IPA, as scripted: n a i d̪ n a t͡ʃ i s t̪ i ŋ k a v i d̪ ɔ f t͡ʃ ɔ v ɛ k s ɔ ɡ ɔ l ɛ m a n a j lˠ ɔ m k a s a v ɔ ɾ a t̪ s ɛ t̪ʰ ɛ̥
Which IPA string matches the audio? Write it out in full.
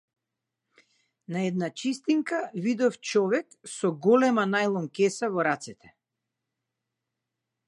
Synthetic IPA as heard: n a ɛ d̪ n a t͡ʃ i s t̪ i ŋ k a v i d̪ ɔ f t͡ʃ ɔ v ɛ k s ɔ ɡ ɔ l ɛ m a n a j lˠ ɔ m k ɛ s a v ɔ ɾ a t̪ s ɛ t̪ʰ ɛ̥